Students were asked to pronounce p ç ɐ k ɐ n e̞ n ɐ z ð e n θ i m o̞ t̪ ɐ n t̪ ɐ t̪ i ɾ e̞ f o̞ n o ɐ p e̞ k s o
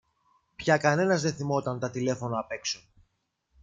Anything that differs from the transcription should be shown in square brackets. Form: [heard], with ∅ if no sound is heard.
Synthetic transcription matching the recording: p ç ɐ k ɐ n e̞ n ɐ z ð e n θ i m o̞ t̪ ɐ n t̪ ɐ t̪ i [l] e̞ f o̞ n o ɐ p e̞ k s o